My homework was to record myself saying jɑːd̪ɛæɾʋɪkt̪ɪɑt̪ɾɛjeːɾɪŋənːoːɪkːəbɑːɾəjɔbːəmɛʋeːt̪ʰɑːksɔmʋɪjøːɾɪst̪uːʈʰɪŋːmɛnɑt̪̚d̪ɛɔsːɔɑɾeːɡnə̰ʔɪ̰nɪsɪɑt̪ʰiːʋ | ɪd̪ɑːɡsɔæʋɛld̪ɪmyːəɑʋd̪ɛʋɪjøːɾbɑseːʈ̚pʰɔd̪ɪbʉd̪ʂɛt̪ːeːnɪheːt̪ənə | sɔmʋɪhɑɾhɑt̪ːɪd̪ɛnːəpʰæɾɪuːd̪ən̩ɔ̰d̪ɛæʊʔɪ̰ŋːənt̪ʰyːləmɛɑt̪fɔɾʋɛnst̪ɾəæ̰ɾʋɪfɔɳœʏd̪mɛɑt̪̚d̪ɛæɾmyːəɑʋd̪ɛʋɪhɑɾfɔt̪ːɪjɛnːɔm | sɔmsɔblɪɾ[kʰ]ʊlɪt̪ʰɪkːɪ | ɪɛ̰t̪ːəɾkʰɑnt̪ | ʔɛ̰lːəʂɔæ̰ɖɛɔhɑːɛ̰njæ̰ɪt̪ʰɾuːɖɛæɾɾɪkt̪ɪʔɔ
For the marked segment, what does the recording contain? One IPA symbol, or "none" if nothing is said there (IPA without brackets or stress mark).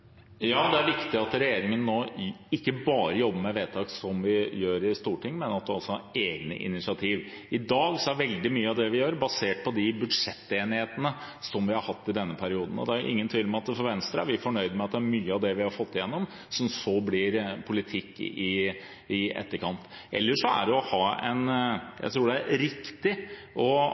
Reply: pʰ